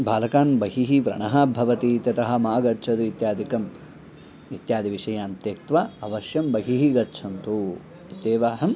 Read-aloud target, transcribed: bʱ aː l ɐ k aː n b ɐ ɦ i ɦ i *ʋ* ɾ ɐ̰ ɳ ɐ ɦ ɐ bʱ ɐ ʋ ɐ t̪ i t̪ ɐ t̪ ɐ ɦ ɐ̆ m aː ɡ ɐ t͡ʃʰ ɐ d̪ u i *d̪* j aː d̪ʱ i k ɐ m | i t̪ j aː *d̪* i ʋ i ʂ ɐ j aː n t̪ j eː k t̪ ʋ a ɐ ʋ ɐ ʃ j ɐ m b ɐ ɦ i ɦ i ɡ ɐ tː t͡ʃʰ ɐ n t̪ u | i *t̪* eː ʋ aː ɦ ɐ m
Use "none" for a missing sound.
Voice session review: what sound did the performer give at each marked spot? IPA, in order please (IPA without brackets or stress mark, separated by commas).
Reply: ʋ, t̪, d̪, t̪